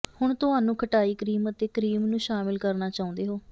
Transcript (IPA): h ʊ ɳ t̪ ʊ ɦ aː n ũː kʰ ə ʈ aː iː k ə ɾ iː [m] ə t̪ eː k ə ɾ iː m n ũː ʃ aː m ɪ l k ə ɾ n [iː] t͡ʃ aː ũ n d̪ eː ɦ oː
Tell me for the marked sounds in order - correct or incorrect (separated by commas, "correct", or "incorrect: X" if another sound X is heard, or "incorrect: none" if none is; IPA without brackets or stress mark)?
correct, incorrect: aː